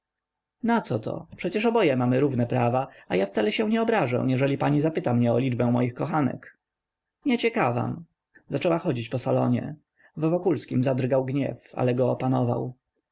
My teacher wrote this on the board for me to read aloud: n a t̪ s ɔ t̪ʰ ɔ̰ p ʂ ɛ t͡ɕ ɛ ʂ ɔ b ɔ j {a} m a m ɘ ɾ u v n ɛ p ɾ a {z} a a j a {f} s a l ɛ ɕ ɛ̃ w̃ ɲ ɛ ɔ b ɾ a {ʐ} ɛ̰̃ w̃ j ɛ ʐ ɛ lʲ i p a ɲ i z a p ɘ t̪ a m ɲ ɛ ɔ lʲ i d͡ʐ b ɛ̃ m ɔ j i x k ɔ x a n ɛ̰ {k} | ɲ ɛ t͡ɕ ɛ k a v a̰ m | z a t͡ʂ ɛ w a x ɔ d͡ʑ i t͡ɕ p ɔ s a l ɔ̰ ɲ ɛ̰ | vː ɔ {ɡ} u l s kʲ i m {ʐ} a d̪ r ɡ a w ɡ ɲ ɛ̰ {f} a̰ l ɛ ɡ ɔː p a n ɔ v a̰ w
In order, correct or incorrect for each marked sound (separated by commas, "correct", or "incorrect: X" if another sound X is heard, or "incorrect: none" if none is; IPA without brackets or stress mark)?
incorrect: ɛ, incorrect: v, correct, correct, correct, incorrect: k, incorrect: z, correct